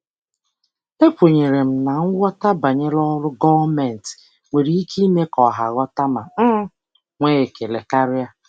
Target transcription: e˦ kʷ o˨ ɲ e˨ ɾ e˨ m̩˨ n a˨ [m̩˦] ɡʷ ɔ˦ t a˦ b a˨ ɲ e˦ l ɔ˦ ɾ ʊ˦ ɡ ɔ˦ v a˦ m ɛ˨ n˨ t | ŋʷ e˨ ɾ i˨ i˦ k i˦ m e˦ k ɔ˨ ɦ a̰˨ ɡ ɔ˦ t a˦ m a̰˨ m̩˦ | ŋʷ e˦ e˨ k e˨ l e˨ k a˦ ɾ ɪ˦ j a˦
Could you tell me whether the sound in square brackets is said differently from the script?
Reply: yes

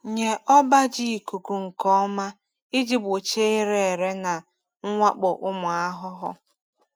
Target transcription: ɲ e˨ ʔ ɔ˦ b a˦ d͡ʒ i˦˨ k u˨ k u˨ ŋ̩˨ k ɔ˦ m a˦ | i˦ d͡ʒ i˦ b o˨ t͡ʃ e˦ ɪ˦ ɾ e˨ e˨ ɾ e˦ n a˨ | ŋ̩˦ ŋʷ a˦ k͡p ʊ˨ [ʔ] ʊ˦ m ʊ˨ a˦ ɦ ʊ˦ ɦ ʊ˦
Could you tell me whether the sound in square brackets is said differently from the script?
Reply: no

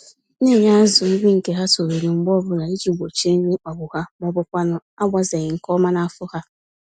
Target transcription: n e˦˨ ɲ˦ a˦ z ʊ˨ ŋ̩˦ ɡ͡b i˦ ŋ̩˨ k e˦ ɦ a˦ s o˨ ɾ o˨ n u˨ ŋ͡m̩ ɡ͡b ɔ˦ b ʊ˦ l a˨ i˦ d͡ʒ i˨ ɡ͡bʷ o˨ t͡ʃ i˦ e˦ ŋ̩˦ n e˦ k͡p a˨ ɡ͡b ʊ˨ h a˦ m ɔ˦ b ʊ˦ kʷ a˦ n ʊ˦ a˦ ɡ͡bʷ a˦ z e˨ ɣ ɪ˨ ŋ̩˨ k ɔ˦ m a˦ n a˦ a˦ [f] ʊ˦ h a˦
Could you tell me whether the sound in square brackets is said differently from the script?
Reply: no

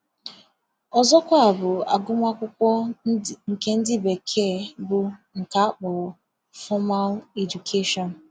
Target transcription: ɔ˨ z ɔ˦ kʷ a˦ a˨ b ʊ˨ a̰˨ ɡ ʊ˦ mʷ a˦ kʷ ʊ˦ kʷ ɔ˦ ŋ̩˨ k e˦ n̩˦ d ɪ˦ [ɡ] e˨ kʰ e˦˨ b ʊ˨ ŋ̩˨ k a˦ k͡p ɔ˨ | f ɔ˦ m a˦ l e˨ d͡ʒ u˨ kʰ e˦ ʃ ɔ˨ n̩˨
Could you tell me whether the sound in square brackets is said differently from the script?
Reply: yes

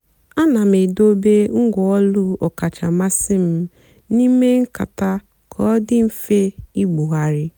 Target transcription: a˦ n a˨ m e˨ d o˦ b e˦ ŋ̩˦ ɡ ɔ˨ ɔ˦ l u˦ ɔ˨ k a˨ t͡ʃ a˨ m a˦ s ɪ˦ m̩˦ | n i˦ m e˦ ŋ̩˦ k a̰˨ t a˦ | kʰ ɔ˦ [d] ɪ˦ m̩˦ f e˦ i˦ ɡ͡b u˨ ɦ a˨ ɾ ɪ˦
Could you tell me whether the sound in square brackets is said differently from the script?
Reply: no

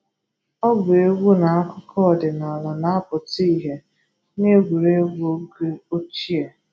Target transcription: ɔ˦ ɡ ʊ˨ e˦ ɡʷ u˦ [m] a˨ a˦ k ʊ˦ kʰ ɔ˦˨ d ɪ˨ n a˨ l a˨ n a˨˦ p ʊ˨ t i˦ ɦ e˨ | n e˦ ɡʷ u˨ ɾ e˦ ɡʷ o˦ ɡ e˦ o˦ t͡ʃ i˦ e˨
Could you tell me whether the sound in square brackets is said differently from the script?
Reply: yes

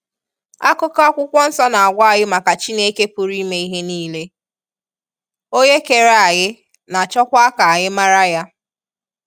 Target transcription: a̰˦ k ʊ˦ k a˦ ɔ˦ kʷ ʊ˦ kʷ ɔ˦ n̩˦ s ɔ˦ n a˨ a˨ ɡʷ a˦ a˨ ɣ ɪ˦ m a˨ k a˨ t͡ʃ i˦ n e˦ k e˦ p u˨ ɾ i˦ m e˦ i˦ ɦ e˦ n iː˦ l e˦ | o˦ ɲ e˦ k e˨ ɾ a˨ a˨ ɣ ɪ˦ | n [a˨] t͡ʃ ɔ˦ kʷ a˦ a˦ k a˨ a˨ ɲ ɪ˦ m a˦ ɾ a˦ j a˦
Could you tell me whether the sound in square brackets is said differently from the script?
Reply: no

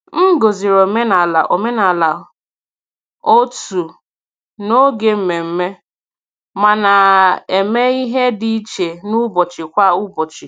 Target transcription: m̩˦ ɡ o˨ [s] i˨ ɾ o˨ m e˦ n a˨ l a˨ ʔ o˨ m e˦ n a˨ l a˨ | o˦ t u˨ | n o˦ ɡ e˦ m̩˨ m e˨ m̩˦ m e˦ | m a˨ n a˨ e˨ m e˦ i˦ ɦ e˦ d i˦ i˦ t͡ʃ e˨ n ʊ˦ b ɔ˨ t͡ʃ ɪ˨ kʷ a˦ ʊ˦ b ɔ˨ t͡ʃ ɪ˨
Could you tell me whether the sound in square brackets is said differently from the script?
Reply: yes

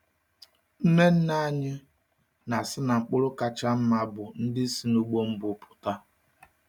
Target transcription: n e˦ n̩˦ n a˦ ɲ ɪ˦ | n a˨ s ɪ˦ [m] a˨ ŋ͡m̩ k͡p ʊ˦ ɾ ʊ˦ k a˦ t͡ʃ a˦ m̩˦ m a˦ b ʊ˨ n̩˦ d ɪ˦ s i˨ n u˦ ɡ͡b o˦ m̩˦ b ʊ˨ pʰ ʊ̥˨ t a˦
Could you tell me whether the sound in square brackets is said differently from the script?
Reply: yes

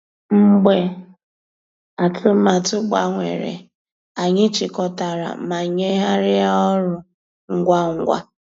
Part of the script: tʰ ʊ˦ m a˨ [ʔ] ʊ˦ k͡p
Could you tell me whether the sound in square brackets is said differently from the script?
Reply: yes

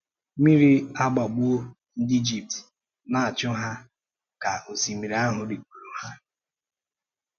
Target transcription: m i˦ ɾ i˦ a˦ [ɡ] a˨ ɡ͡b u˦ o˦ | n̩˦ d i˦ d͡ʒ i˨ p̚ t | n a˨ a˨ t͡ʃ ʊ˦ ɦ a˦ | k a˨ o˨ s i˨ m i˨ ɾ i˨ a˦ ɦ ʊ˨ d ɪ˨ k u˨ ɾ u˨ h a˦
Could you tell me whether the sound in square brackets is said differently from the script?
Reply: yes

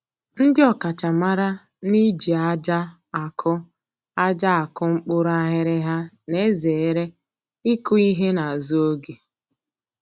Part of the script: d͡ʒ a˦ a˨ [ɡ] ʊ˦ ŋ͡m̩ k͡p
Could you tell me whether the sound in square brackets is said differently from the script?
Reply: yes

